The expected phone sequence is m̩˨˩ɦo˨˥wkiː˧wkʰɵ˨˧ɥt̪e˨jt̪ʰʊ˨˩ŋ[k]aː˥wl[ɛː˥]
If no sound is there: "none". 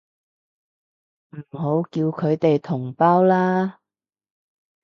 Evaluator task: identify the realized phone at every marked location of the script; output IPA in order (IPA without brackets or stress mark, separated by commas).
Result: p, aː˥